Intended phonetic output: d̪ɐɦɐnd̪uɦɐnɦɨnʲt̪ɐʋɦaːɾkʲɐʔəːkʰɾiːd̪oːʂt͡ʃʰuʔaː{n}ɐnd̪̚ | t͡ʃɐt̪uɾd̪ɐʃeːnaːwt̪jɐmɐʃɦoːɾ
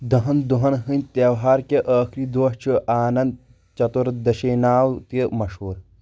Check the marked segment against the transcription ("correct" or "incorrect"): correct